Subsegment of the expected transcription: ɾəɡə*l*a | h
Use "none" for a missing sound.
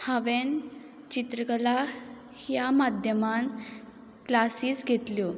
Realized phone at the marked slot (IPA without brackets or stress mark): l